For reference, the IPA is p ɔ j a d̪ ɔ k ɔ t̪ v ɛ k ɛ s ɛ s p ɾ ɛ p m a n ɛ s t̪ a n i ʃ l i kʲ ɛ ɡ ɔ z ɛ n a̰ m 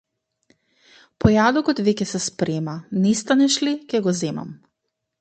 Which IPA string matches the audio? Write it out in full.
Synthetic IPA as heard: p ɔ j a d̪ ɔ k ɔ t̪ v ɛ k ɛ s ɛ s p ɾ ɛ m a n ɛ s t̪ a n ɛ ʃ l i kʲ ɛ ɡ ɔ z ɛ m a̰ m